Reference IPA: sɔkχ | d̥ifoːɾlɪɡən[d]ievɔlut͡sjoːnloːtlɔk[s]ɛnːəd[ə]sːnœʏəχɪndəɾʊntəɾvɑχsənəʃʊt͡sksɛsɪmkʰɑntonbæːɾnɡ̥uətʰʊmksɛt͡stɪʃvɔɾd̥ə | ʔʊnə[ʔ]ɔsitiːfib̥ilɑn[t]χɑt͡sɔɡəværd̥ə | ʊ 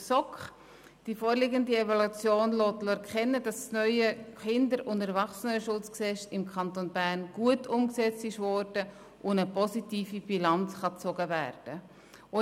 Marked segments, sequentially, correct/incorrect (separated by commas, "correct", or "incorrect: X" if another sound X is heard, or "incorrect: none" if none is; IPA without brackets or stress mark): correct, incorrect: χ, incorrect: ɑ, incorrect: p, incorrect: t͡s